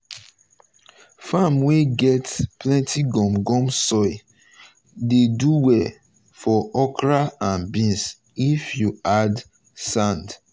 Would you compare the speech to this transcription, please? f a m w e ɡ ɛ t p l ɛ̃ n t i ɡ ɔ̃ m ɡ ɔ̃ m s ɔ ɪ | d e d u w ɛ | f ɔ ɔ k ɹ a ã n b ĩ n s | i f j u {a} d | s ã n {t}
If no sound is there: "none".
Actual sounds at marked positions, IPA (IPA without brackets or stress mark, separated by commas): a, d